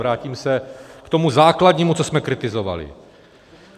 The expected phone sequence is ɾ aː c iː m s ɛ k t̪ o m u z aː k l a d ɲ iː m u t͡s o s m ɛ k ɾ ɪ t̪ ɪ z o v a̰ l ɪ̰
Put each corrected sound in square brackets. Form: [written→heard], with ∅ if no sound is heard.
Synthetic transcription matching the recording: ɾ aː c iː m s ɛ k t̪ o m u z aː k l a d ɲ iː m u t͡s o s m ɛ k ɾ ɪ t̪ ɪ z o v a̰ l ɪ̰